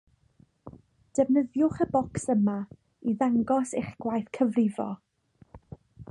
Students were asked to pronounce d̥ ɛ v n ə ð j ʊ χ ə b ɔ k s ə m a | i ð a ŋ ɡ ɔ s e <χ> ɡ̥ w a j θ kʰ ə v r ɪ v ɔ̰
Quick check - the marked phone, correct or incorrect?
correct